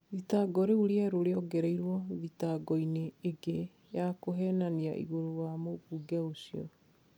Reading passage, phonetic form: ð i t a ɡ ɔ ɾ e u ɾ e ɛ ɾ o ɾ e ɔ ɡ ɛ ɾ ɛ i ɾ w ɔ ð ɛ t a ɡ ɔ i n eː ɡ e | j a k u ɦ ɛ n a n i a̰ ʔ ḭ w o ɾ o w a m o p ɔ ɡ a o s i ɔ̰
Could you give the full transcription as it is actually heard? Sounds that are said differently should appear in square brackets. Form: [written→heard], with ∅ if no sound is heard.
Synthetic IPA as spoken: ð i t a ɡ ɔ ɾ e u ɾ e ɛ ɾ o ɾ e ɔ ɡ ɛ ɾ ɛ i ɾ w ɔ ð [ɛ→i] t a ɡ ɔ i n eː ɡ e | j a k [u→o] ɦ ɛ n a n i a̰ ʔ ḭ [w→ɣ] o ɾ o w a m o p [ɔ→u] ɡ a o s i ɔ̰